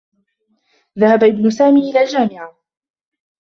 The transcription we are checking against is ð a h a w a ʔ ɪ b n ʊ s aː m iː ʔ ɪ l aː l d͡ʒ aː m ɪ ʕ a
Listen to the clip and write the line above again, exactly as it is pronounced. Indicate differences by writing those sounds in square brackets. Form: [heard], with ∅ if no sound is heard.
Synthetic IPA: ð a h a [b] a ʔ ɪ b n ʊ s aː m iː ʔ ɪ l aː l d͡ʒ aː m ɪ ʕ a